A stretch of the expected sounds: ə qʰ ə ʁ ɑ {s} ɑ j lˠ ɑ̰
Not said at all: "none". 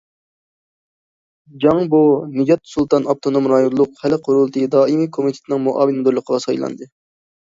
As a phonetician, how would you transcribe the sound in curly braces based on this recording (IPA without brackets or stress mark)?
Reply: s